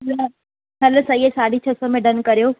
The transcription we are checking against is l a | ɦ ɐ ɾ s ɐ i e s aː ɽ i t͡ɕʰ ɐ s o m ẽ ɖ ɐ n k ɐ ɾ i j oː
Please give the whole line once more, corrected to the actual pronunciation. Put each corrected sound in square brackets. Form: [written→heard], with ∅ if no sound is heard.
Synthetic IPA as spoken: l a | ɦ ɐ [ɾ→l] s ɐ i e s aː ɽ i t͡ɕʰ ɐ s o m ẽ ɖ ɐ n k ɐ ɾ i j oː